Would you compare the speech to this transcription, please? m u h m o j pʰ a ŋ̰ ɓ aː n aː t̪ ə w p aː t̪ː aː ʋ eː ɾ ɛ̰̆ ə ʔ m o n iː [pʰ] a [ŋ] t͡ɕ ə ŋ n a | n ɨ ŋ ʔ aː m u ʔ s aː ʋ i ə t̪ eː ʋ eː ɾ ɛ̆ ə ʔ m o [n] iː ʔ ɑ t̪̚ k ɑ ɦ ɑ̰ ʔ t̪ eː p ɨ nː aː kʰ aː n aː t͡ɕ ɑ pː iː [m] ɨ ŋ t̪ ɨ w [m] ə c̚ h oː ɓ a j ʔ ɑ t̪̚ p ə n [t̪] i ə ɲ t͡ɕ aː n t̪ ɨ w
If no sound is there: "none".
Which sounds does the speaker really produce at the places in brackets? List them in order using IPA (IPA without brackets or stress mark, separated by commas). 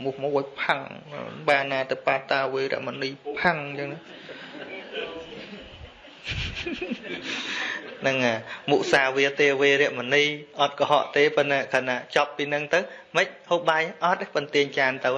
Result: pʰ, ŋ, n, n, m, t̪